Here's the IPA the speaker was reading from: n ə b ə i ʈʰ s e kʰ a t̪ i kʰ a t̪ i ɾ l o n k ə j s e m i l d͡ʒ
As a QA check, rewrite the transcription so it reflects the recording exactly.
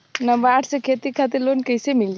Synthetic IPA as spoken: n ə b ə a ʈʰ s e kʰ e t̪ i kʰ a t̪ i ɾ l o n k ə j s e m i l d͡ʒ